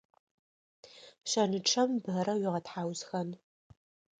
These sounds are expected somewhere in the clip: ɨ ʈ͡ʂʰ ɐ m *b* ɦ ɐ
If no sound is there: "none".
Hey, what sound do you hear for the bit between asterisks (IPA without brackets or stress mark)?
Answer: b